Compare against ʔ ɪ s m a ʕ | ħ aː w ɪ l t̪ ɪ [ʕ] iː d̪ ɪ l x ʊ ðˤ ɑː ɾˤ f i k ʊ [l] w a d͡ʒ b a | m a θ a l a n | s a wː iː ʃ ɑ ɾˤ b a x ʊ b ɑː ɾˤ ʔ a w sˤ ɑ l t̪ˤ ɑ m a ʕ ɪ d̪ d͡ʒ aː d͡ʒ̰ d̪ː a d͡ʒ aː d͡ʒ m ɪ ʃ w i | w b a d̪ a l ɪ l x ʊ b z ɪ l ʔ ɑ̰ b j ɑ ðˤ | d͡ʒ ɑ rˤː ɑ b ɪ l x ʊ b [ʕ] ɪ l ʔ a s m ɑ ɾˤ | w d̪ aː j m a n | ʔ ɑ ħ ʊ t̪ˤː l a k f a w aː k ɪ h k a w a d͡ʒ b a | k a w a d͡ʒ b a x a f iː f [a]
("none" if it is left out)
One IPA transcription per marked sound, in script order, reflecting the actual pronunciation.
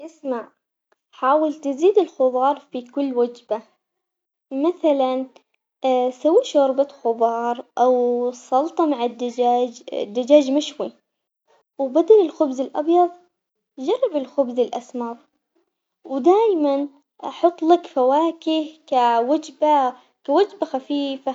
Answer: z, lː, z, a

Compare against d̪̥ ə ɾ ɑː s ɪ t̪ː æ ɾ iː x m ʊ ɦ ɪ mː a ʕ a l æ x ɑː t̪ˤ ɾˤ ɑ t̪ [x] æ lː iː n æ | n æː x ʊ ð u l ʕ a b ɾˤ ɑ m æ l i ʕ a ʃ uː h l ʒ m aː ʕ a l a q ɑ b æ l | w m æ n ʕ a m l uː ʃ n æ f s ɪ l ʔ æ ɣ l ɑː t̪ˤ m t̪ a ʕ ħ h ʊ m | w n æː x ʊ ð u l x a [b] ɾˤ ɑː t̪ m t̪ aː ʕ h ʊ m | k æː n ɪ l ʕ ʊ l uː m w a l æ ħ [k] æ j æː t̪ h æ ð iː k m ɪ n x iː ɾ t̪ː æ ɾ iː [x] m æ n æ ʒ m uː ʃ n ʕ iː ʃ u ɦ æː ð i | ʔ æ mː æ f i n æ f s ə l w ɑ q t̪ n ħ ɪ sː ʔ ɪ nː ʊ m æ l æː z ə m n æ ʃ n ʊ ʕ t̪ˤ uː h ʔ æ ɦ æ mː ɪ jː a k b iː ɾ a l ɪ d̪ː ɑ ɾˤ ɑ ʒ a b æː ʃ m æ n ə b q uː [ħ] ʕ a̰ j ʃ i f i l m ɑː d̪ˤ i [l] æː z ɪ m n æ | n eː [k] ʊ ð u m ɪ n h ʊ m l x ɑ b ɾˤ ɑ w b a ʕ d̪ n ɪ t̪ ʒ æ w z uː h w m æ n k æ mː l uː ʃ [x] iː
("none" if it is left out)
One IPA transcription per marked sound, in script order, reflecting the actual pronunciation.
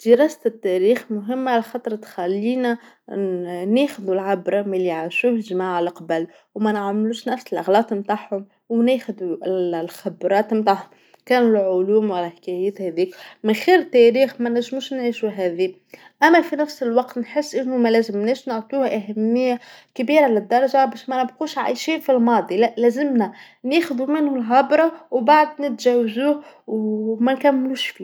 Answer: x, b, k, x, ʃ, l, x, f

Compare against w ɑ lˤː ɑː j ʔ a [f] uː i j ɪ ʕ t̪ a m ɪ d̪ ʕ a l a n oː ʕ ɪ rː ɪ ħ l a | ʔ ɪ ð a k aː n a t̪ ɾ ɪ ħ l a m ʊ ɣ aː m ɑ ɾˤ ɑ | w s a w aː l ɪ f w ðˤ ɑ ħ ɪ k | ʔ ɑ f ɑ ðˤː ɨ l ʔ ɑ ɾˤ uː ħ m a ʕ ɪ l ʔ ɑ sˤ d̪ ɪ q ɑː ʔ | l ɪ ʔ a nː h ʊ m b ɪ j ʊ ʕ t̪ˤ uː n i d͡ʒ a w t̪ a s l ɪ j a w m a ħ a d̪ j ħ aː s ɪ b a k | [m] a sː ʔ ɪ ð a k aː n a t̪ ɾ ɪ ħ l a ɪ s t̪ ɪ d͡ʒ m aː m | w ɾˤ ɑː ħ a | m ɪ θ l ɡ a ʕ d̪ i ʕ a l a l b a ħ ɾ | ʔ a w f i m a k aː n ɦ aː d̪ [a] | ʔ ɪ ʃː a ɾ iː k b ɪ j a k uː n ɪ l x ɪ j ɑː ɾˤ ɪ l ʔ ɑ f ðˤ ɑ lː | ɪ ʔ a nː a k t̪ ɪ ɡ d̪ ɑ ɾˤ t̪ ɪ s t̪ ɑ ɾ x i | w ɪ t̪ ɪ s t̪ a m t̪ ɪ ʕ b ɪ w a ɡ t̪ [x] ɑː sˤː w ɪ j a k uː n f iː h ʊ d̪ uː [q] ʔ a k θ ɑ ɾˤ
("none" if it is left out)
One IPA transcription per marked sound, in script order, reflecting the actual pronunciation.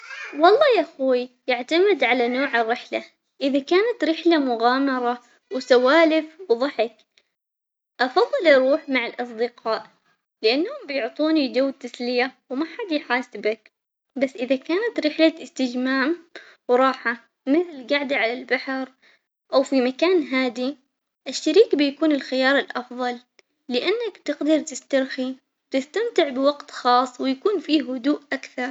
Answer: x, b, i, x, ʔ

